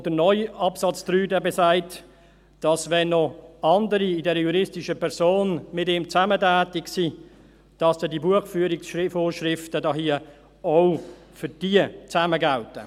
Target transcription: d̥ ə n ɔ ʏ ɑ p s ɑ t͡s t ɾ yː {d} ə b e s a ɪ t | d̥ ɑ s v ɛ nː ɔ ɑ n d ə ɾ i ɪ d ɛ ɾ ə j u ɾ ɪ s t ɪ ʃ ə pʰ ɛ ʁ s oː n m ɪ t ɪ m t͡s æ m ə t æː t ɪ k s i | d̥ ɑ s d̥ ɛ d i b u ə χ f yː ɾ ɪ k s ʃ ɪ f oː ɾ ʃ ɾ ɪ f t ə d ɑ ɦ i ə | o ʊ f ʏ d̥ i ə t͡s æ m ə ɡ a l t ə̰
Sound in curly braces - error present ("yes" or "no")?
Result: no